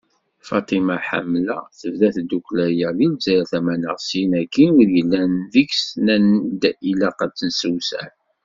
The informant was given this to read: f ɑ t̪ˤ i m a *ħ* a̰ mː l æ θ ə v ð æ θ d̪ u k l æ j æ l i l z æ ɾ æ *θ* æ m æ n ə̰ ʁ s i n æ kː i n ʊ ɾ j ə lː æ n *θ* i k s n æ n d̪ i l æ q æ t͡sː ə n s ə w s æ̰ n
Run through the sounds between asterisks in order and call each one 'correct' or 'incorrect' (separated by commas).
correct, correct, incorrect